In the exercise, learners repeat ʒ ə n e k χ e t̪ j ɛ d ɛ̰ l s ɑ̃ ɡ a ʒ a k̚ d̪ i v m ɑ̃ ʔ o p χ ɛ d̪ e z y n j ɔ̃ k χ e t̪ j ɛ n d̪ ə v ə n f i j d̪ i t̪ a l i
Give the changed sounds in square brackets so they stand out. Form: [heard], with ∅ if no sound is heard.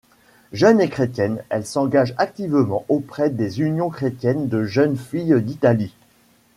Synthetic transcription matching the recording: ʒ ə n e k χ e t̪ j ɛ [n] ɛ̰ l s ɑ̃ ɡ a ʒ a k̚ [t̪] i v m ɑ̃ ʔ o p χ ɛ d̪ e z y n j ɔ̃ k χ e t̪ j ɛ n d̪ ə [ʒ] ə n f i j d̪ i t̪ a l i